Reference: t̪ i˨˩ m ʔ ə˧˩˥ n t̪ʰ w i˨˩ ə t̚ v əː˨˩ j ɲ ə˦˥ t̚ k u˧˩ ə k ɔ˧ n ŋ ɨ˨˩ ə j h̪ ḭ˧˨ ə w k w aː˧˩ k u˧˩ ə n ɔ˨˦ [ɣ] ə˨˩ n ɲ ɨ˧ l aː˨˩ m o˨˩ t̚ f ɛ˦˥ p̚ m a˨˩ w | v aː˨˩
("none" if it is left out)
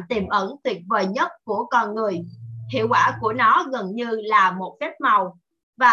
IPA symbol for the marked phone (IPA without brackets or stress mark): ɣ